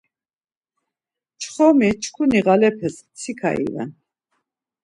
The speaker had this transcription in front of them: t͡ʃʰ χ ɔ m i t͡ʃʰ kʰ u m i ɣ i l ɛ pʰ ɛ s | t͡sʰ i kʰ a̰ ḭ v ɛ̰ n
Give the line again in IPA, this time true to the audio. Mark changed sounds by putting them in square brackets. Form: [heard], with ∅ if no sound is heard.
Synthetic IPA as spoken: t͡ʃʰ χ ɔ m i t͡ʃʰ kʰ u [n] i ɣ [a] l ɛ pʰ ɛ s | t͡sʰ i kʰ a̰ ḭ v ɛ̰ n